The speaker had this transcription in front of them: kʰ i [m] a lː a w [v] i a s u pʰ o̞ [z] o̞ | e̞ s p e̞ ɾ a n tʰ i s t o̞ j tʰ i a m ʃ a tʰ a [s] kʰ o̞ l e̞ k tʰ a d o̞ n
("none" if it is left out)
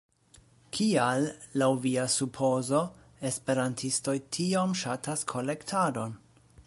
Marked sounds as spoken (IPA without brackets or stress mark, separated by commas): none, v, z, s